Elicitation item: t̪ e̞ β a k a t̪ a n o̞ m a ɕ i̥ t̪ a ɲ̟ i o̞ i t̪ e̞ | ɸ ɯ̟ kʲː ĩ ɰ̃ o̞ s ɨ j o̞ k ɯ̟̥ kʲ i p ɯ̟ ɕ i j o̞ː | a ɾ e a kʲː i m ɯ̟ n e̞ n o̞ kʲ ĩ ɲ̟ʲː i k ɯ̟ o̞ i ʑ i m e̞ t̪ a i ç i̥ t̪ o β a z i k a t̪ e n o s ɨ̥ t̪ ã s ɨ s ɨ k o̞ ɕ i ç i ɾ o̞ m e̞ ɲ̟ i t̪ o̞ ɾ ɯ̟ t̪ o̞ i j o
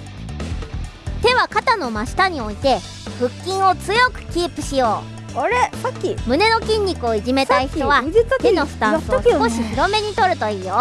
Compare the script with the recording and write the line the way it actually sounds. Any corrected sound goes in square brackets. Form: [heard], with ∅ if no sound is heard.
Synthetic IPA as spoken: t̪ e̞ β a k a t̪ a n o̞ m a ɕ i̥ t̪ a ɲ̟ i o̞ i t̪ e̞ | ɸ ɯ̟ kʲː ĩ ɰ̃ o̞ [t͡s] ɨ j o̞ k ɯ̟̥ kʲ [iː] p ɯ̟ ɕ i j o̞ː | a ɾ e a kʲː i m ɯ̟ n e̞ n o̞ kʲ ĩ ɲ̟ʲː i k ɯ̟ o̞ i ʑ i m e̞ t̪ a i ç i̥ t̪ o β a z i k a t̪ e n o s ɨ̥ t̪ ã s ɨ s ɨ k o̞ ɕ i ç i ɾ o̞ m e̞ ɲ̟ i t̪ o̞ ɾ ɯ̟ t̪ o̞ [iː] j o